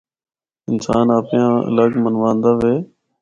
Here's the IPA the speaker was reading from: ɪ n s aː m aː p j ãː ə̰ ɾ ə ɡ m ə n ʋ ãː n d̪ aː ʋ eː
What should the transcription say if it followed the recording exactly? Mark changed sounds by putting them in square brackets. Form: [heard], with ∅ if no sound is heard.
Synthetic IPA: ɪ n s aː [n] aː p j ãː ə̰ [l] ə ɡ m ə n ʋ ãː n d̪ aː ʋ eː